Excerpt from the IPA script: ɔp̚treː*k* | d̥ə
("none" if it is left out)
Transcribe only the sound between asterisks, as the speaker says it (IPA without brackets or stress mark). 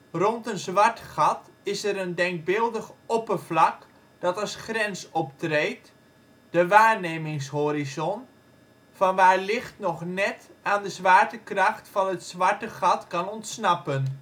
t